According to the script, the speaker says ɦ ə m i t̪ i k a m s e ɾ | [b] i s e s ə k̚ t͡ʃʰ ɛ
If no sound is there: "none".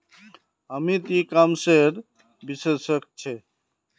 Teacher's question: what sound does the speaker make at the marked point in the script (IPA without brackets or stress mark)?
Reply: b